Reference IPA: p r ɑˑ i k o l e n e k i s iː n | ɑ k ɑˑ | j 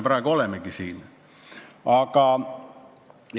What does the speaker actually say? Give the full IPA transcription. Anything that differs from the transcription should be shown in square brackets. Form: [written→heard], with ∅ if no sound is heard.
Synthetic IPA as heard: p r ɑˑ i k o l e [n→m] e k i s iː n | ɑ k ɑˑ | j